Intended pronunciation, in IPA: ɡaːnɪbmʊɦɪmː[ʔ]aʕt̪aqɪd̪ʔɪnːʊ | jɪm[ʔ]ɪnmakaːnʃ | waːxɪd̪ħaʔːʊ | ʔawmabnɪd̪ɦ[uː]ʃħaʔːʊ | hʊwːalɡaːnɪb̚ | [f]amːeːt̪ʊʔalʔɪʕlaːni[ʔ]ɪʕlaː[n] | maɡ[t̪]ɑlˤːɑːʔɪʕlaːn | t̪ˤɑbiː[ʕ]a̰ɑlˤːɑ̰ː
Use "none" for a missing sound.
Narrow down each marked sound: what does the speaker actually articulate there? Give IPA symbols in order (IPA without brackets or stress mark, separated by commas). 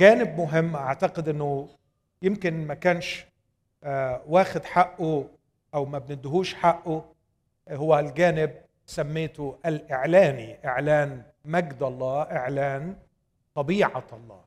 ʔ, k, uː, s, ʔ, n, d̪, ʕ